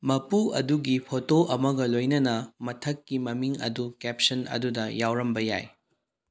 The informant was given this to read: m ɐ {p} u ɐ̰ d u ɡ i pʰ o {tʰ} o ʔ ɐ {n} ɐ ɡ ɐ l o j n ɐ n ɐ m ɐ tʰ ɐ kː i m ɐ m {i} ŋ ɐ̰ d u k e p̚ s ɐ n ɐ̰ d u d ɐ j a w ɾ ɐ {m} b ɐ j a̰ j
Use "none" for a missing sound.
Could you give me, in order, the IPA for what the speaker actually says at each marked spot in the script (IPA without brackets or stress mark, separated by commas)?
p, t, m, i, m